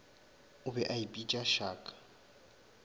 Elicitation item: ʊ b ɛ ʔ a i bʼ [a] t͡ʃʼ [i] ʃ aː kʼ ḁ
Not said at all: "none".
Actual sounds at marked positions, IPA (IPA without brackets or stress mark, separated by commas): i, a